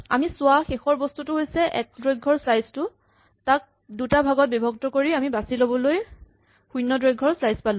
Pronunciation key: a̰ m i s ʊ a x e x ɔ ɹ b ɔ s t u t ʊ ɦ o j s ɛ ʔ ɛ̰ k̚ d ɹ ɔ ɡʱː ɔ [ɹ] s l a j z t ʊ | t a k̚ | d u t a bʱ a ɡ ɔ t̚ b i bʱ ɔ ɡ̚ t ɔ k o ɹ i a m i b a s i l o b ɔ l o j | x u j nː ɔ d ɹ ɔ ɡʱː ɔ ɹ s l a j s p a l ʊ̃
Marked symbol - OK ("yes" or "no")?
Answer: yes